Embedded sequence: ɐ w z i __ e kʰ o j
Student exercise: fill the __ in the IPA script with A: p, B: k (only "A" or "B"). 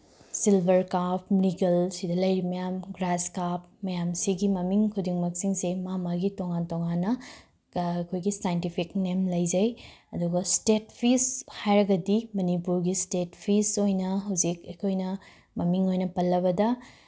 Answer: B